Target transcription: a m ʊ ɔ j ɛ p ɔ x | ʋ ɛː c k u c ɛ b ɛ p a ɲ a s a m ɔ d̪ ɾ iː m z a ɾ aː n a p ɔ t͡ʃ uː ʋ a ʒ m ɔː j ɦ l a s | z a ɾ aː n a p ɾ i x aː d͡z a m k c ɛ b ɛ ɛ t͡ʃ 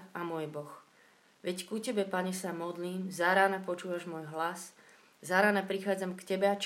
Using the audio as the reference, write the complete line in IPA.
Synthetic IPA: a m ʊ ɔ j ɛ b ɔ x | ʋ ɛ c k u c ɛ b ɛ p a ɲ ɛ s a m ɔ d̪ l iː m z a ɾ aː n a p ɔ t͡ʃ uː ʋ a ʒ m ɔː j ɦ l a s | z a ɾ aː n a p ɾ i x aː d͡z a m k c ɛ b ɛ a t͡ʃ